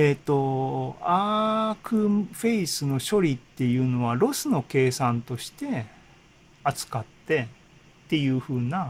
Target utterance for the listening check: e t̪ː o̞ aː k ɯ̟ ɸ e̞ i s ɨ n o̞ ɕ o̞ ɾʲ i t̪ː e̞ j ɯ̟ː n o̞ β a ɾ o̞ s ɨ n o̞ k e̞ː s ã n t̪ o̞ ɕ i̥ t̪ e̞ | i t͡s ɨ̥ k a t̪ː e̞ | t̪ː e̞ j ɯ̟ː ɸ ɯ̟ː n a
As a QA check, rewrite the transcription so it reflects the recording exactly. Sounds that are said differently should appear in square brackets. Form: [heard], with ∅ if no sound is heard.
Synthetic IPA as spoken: e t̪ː o̞ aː k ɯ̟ ɸ e̞ i s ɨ n o̞ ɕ o̞ ɾʲ i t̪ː e̞ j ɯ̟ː n o̞ β a ɾ o̞ s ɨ n o̞ k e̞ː s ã n t̪ o̞ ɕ i̥ t̪ e̞ | [a] t͡s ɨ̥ k a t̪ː e̞ | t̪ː e̞ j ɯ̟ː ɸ ɯ̟ː n a